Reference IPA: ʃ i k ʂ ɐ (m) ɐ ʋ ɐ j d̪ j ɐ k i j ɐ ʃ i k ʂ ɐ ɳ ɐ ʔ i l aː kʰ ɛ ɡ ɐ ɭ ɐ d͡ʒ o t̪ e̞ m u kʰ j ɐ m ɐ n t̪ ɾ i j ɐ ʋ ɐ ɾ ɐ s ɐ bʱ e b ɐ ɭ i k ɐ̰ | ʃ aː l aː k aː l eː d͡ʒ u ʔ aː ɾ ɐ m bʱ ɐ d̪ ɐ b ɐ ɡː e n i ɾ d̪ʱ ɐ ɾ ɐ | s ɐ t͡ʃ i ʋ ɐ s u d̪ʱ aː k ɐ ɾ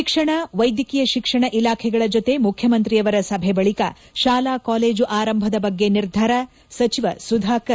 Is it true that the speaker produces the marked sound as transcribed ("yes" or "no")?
no